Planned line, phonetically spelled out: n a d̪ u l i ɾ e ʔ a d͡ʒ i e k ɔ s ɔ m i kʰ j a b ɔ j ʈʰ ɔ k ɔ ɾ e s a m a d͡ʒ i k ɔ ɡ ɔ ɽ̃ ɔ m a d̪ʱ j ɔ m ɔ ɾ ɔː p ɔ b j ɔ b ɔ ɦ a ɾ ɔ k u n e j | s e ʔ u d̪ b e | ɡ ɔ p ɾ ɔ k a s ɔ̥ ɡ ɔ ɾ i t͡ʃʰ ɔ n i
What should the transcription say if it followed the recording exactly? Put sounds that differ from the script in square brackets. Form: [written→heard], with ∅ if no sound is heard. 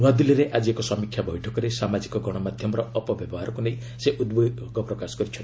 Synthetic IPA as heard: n a d̪ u l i ɾ e ʔ a d͡ʒ i e k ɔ s ɔ m i kʰ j a b ɔ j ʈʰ ɔ k ɔ ɾ e s a m a d͡ʒ i k ɔ ɡ ɔ ɽ̃ ɔ m a d̪ʱ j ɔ m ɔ ɾ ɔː p ɔ b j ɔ b ɔ ɦ a ɾ ɔ k u n e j | s e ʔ u d̪ b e | ɡ ɔ p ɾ ɔ k a s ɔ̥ ɡ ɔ ɾ i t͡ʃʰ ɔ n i